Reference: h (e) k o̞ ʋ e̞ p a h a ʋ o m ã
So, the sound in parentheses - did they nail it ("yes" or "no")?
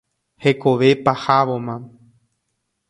yes